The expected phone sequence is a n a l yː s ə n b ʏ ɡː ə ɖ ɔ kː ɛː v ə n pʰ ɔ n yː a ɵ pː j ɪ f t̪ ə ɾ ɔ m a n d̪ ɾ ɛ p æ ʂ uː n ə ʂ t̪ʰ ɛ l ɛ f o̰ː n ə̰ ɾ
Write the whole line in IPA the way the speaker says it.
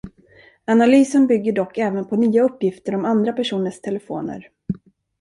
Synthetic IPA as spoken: a n a l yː s ə n b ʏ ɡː ə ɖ ɔ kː ɛː v ə n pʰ ɔ n yː a ɵ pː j ɪ f t̪ ə ɾ ɔ m a n d̪ ɾ a p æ ʂ uː n ə ʂ t̪ʰ ɛ l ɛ f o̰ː n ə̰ ɾ